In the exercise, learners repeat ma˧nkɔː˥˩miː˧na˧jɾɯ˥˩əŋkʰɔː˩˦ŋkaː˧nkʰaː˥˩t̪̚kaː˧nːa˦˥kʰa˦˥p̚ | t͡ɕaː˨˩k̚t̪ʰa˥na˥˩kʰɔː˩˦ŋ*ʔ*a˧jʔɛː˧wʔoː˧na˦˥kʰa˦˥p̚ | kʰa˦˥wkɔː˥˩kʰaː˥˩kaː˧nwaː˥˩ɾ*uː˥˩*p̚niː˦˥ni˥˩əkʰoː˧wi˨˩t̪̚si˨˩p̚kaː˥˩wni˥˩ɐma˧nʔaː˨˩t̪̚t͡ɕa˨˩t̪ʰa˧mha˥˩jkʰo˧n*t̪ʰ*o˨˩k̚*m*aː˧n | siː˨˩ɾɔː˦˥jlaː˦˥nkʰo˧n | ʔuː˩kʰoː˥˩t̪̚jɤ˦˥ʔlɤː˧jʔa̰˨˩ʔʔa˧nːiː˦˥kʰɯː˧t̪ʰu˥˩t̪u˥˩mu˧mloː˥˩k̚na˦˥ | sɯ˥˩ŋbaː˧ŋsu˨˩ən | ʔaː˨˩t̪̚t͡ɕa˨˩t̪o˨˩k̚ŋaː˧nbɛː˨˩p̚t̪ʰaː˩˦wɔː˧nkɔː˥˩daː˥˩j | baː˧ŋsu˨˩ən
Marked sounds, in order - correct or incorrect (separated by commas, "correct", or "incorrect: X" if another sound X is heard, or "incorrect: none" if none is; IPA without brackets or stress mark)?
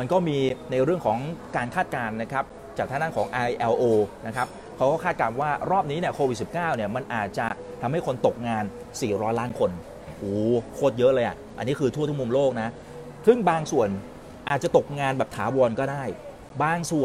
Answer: correct, incorrect: ɔː˥˩, incorrect: t̪, incorrect: ŋ